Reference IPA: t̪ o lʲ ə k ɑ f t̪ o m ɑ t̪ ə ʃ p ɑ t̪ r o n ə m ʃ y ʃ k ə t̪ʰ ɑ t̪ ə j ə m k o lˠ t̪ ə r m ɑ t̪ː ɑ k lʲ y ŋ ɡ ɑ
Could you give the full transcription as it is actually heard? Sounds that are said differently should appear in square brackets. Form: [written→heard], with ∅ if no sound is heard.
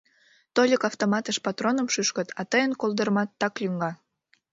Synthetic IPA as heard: t̪ o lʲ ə k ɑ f t̪ o m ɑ t̪ ə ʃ p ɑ t̪ r o n ə m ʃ y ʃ k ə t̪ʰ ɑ t̪ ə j ə [m→n] k o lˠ [t̪→d̪] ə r m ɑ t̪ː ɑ k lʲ y ŋ ɡ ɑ